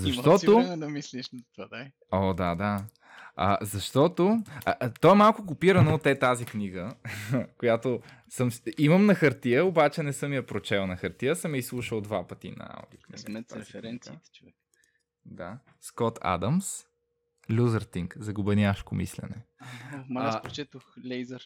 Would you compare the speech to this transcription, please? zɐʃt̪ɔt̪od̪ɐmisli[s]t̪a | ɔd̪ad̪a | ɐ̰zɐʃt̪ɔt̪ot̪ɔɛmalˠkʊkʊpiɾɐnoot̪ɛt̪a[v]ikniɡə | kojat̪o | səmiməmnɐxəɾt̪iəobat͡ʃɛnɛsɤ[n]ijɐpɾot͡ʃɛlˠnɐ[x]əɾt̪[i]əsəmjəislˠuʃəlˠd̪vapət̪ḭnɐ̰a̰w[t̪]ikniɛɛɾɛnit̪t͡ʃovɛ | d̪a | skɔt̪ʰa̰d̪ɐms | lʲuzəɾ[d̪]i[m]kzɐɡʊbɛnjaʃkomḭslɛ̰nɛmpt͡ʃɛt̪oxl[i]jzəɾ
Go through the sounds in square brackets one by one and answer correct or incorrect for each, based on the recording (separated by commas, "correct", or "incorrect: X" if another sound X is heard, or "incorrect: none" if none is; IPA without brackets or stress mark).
incorrect: ʃ, incorrect: z, incorrect: m, correct, correct, incorrect: d̪, incorrect: t̪, incorrect: ŋ, incorrect: ɛ